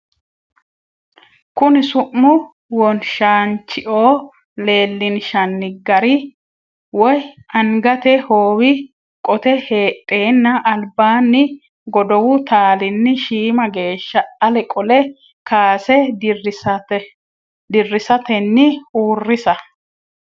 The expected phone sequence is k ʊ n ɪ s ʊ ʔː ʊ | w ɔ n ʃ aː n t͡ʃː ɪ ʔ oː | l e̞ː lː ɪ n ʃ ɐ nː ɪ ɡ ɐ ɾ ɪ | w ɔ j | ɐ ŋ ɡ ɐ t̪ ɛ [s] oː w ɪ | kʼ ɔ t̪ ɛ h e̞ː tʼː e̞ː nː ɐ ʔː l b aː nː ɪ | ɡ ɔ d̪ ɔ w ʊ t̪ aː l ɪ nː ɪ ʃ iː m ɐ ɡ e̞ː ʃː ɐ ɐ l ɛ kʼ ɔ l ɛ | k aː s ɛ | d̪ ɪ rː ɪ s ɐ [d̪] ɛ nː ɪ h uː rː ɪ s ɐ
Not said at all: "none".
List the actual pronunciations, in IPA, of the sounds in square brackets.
h, t̪

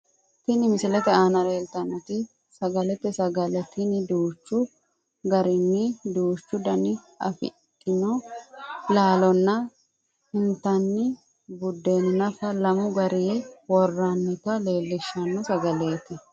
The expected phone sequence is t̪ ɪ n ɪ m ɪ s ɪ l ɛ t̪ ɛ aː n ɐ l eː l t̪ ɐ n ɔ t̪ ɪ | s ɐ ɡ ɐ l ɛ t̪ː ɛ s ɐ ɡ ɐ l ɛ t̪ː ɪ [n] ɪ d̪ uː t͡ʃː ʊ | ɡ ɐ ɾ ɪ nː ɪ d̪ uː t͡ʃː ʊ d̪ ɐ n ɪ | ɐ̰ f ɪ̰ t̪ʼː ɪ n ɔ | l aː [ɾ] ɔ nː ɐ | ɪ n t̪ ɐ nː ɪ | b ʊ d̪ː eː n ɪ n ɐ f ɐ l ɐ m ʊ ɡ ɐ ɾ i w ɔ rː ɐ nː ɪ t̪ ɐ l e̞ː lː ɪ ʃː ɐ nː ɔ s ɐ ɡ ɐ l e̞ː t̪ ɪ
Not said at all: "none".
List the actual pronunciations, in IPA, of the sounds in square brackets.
n, l

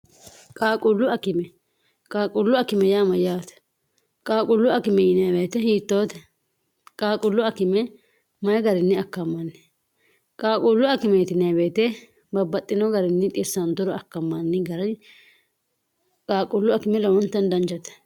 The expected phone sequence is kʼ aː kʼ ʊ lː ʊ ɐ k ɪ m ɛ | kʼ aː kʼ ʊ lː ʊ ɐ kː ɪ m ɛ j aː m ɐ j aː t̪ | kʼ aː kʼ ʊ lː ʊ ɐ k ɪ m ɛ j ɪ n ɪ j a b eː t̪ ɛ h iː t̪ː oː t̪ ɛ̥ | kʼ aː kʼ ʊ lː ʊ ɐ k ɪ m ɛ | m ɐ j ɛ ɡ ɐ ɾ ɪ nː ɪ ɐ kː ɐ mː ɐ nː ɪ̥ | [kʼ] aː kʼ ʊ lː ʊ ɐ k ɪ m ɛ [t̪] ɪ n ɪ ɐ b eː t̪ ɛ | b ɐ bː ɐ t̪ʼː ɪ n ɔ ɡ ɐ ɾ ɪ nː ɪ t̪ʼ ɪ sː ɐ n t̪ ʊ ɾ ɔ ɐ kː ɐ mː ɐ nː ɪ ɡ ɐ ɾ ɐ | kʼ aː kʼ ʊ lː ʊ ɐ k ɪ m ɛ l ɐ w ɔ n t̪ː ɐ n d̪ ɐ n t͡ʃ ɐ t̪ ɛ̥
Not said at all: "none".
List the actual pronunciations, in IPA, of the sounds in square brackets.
kʼ, t̪

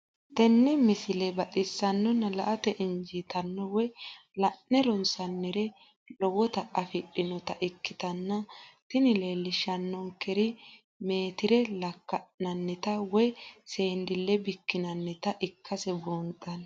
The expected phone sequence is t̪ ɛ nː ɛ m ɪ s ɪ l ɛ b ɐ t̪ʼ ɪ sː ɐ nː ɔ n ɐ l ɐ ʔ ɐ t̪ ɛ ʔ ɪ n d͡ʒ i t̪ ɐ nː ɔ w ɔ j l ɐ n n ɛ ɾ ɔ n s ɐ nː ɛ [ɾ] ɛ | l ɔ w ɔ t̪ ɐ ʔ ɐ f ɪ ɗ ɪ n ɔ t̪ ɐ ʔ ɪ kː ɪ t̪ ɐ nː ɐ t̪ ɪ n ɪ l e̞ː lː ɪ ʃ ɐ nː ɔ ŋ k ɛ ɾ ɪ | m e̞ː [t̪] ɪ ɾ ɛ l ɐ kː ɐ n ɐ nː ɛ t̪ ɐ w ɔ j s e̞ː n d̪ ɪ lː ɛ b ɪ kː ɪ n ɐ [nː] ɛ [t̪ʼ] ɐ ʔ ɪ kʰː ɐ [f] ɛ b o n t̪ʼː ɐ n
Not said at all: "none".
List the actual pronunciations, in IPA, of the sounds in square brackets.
ɾ, t̪, nː, t̪, s

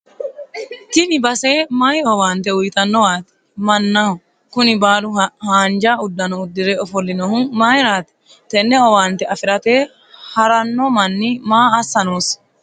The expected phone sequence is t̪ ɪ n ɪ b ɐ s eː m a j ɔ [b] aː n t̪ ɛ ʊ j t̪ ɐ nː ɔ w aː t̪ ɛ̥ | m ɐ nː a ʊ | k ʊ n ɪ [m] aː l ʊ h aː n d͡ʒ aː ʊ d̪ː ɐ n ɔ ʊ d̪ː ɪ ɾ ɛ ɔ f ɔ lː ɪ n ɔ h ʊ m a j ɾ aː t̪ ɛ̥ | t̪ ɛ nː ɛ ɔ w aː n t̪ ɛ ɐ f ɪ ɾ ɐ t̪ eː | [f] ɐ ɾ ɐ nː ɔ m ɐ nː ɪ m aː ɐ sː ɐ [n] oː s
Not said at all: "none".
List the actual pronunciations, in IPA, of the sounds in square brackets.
w, b, h, n

